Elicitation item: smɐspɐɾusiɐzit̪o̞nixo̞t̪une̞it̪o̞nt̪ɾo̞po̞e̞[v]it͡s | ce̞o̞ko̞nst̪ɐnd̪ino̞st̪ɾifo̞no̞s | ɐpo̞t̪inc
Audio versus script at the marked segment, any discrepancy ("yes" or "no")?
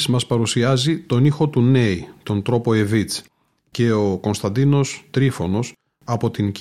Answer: no